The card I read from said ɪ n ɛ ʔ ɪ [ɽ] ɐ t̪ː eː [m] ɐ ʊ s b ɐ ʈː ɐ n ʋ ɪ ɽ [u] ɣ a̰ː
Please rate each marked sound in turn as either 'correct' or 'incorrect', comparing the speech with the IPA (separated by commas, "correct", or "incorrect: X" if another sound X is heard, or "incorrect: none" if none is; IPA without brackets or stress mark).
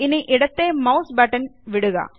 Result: correct, correct, incorrect: ɯ